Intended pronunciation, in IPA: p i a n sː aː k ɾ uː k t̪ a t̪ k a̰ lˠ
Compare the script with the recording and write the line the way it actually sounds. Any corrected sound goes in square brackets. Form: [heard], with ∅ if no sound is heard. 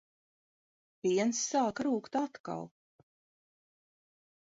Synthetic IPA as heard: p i [ɛ] n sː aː k ɾ uː k t̪ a t̪ k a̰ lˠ